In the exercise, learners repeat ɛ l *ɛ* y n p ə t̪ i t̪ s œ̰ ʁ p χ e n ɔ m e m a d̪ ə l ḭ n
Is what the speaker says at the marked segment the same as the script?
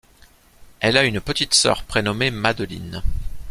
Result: no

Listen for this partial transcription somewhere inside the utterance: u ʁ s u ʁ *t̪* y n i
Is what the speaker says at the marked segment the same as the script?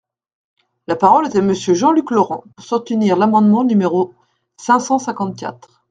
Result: yes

